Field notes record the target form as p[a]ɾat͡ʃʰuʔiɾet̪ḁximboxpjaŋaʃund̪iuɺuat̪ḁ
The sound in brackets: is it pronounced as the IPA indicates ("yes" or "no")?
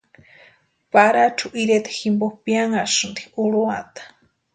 yes